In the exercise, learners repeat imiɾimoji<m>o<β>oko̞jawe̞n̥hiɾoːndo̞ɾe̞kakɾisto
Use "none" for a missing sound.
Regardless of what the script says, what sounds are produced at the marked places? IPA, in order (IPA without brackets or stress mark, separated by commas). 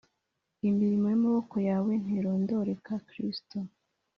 m, β